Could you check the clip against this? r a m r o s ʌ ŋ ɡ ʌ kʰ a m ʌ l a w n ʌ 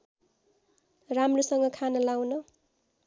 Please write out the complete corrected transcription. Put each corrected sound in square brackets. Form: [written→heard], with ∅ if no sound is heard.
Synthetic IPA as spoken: r a m r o s ʌ ŋ ɡ ʌ kʰ a [m→n] ʌ l a w n ʌ